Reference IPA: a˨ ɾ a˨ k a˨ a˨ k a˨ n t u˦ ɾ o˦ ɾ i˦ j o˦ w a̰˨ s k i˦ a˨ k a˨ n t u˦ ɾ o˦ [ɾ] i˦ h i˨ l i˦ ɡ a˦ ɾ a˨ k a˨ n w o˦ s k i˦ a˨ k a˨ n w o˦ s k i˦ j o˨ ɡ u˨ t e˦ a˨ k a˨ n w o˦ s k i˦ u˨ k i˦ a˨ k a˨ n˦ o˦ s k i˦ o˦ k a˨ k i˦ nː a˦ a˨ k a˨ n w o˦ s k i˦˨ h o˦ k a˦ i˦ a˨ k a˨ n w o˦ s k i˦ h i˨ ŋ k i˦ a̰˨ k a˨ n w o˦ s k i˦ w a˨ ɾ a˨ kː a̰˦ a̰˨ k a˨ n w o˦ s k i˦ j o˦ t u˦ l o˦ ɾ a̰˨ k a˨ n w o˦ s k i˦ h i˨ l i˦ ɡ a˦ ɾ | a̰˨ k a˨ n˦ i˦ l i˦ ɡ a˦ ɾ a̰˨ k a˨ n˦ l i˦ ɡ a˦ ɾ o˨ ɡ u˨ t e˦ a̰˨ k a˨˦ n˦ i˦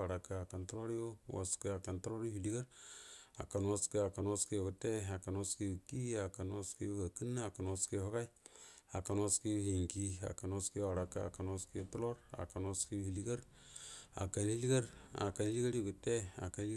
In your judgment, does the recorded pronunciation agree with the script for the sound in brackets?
yes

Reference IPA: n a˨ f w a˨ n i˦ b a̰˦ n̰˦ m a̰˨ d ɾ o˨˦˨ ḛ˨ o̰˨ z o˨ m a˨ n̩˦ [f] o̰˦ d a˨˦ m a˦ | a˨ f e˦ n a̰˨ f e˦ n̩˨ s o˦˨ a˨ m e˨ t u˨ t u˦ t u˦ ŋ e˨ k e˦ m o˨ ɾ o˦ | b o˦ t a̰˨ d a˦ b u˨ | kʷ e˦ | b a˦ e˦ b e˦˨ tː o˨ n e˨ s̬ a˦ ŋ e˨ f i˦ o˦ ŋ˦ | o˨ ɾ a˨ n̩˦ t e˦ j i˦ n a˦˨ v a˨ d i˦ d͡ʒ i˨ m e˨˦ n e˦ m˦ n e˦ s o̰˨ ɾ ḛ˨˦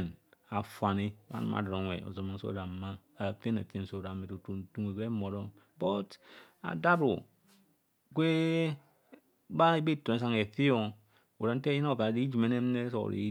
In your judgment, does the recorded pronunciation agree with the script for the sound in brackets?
no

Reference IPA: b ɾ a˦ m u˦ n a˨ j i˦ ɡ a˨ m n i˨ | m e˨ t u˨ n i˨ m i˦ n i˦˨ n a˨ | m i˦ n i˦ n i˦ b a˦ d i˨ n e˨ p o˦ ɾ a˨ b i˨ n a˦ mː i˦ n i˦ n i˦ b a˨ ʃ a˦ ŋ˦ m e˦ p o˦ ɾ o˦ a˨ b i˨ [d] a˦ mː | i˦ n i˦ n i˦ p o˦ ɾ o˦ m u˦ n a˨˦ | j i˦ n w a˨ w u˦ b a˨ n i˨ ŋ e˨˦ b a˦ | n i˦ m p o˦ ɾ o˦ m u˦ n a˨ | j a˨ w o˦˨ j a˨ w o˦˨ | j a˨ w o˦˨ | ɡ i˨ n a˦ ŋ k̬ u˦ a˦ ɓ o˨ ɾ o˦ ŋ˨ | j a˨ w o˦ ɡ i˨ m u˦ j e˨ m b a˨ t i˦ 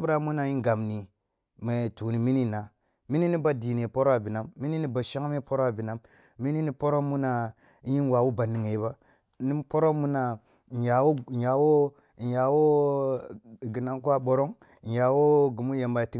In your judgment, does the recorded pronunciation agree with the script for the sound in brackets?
no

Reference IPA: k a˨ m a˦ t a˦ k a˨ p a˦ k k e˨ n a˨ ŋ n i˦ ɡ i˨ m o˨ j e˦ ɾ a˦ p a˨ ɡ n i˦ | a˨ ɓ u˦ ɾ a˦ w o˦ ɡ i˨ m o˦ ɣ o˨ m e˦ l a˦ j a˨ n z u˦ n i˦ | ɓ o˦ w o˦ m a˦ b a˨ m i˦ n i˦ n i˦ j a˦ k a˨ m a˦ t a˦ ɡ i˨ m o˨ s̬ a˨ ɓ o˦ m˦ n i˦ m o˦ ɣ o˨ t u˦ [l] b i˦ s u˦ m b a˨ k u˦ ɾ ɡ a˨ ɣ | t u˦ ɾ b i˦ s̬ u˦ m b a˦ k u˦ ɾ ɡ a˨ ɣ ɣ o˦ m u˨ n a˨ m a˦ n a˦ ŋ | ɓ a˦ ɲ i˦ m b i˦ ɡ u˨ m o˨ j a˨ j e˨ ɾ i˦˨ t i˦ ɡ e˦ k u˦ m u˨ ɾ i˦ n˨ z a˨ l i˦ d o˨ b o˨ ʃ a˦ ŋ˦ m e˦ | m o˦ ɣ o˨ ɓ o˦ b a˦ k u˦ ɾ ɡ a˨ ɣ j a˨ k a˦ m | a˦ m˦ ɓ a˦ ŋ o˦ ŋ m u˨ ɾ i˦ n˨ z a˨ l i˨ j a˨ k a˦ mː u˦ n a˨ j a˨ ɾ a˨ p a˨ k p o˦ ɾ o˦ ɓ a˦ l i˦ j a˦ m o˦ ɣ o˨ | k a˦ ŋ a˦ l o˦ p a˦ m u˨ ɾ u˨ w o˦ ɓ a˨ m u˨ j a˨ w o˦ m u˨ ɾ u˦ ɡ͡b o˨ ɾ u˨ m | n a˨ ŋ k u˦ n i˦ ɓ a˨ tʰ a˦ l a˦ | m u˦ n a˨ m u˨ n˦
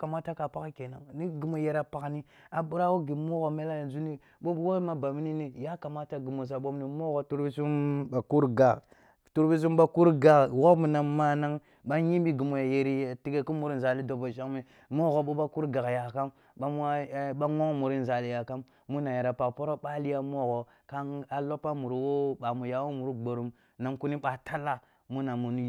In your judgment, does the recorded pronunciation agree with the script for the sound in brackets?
no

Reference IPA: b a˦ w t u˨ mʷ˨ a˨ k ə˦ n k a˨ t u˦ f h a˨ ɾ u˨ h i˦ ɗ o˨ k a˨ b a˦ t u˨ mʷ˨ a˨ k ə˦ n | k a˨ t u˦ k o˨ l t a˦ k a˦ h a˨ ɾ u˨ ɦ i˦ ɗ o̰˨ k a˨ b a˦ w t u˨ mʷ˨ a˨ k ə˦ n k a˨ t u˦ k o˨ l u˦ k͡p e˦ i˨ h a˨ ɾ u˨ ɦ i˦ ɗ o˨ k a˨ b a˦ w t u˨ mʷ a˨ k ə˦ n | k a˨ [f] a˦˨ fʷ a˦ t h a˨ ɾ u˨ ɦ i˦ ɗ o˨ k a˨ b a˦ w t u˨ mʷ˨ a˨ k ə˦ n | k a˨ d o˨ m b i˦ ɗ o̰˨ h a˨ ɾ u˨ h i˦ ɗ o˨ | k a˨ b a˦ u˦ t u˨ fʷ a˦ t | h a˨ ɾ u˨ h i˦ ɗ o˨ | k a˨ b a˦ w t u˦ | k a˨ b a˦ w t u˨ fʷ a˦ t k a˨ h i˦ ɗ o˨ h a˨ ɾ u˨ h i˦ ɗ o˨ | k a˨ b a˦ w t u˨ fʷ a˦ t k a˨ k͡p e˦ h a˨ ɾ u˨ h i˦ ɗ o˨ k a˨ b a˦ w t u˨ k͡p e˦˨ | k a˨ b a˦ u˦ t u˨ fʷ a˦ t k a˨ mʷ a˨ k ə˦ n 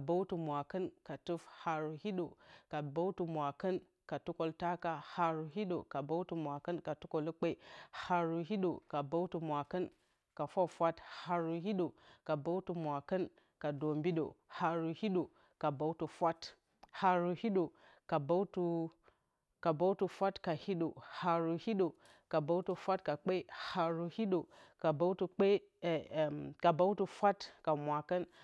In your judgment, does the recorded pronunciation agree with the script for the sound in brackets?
yes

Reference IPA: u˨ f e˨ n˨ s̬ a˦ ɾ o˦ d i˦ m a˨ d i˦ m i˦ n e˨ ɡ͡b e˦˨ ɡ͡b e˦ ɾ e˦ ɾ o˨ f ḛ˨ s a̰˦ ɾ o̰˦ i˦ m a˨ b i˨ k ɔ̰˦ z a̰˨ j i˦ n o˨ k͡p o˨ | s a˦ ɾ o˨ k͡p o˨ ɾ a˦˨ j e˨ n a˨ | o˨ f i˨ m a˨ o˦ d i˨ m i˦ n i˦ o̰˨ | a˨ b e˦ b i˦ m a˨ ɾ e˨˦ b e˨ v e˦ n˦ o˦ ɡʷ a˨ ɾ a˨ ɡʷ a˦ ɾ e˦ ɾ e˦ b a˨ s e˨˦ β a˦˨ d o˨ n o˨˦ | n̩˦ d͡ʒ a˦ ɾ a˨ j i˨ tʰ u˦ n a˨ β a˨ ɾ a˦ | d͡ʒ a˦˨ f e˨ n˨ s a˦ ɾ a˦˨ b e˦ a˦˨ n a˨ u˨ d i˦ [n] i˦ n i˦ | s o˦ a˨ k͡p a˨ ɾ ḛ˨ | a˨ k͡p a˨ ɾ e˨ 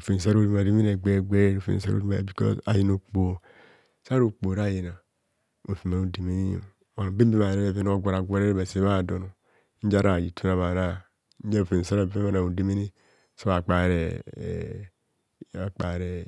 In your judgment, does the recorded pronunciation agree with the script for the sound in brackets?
no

